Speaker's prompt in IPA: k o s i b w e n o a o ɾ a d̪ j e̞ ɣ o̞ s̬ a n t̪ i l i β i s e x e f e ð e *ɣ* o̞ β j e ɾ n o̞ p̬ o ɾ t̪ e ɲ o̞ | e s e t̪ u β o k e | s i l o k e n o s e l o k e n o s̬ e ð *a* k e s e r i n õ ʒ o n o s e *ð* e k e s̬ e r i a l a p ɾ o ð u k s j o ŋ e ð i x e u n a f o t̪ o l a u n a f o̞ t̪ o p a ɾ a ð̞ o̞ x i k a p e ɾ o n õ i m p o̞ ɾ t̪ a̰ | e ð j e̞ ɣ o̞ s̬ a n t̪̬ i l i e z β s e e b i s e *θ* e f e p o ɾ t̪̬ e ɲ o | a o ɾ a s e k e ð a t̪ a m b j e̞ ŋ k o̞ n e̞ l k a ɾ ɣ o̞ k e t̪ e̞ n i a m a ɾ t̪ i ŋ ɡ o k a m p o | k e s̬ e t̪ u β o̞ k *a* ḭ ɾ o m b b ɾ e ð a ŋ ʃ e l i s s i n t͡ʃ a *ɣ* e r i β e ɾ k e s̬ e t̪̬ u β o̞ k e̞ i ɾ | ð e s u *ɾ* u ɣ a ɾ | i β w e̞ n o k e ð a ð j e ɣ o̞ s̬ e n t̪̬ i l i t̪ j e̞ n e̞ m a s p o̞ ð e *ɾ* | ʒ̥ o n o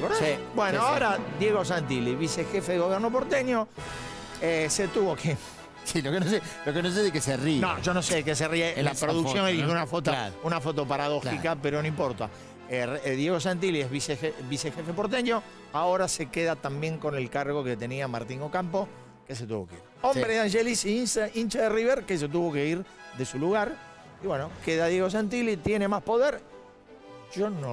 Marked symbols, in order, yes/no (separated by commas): yes, no, yes, no, no, no, no, yes